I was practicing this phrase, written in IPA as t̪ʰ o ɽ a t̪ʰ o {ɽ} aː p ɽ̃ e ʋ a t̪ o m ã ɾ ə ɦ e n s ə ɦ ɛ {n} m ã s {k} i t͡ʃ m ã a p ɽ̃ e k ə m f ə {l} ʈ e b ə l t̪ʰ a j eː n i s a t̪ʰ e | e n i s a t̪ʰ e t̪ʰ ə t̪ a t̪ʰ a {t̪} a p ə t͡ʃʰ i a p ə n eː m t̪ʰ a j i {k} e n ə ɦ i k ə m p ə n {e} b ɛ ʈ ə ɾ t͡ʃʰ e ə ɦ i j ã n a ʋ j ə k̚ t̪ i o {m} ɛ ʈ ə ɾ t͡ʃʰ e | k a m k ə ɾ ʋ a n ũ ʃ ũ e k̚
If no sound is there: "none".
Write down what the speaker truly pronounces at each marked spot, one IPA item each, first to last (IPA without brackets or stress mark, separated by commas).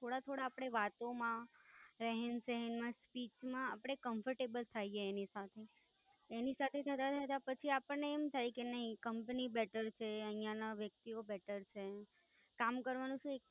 ɽ, n, p, ɾ, t̪, k, i, b